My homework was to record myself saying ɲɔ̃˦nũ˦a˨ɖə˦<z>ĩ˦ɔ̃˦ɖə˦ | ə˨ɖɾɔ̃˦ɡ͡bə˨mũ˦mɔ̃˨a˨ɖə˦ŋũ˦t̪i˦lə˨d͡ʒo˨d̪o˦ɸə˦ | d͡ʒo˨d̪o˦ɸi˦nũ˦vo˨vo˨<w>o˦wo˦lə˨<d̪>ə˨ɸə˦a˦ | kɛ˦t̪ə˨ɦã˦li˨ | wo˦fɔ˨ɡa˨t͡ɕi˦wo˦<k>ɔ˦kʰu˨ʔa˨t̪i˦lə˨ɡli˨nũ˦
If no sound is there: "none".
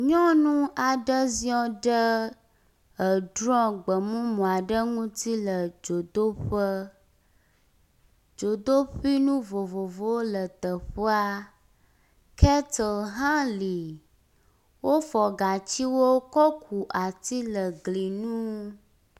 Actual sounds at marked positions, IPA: z, v, t̪, k

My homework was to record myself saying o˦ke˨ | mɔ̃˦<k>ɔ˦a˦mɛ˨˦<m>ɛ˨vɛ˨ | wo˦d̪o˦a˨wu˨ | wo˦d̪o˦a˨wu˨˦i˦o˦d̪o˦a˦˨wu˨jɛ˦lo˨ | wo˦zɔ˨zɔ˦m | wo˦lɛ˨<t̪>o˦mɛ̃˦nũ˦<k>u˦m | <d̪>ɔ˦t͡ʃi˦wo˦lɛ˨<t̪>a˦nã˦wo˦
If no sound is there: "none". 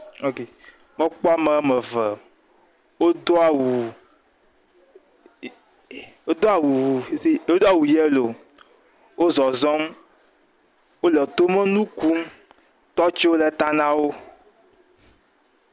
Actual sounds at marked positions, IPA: k͡p, m, t̪, k, t̪, t̪

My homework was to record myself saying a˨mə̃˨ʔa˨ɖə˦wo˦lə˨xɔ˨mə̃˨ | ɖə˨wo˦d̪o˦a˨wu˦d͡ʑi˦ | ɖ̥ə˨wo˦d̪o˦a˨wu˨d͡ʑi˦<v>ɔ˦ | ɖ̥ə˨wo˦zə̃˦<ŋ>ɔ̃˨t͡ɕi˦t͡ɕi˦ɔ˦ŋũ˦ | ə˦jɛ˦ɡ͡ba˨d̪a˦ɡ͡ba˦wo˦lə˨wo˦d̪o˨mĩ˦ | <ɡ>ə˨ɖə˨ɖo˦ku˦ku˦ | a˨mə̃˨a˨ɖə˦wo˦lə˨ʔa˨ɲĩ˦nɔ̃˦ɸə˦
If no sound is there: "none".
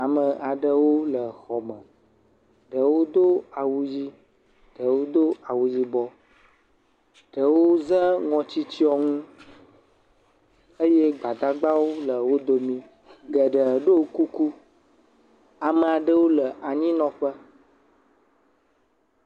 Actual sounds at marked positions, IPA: b, ŋ, ɡ

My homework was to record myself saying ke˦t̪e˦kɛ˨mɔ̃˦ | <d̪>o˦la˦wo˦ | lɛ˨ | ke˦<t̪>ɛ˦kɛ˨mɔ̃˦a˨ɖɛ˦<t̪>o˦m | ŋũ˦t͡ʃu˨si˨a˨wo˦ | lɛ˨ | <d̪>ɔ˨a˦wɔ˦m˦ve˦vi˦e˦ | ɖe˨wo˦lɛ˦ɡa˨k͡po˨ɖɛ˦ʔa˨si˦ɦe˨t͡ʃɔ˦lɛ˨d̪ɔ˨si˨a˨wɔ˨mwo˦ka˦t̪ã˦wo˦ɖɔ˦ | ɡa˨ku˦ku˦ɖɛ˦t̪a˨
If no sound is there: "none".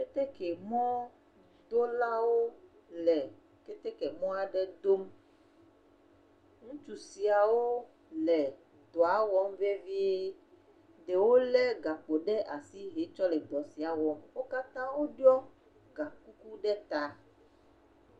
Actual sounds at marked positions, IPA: d̪, t̪, d̪, d̪

